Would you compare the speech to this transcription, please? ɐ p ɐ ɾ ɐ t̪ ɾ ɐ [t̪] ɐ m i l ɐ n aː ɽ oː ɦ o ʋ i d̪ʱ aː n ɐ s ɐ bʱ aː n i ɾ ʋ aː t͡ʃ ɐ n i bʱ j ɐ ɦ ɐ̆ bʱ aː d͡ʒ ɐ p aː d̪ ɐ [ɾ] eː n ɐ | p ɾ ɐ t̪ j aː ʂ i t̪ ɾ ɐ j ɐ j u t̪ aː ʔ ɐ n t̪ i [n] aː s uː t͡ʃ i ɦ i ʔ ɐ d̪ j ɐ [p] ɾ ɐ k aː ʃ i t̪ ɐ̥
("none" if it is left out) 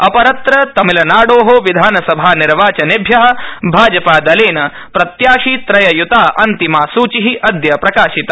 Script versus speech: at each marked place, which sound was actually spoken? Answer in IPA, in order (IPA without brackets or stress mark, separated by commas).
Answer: t̪, l, m, p